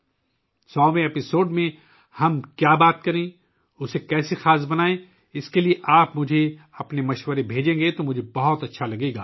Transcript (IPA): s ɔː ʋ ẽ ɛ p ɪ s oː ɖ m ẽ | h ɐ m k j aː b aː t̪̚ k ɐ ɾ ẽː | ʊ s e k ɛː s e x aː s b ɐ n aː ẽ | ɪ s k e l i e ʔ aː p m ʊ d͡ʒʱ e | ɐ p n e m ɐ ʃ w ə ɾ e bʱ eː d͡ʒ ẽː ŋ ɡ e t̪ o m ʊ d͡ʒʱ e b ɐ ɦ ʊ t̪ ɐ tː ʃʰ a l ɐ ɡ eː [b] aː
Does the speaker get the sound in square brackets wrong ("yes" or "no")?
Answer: yes